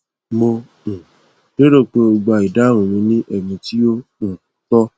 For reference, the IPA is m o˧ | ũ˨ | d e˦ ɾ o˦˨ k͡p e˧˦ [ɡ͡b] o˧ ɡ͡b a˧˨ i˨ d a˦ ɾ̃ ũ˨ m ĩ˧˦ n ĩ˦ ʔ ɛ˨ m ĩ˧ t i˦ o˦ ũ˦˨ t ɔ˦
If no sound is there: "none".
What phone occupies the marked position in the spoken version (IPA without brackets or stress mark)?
none